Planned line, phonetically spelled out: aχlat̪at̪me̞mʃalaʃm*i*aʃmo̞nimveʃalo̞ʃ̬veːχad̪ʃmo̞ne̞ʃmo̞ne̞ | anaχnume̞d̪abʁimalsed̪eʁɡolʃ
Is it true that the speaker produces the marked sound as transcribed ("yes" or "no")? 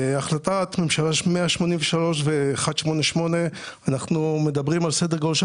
no